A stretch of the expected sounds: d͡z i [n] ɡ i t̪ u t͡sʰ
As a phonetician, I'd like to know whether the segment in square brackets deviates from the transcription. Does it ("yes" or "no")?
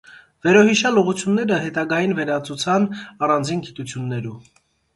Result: no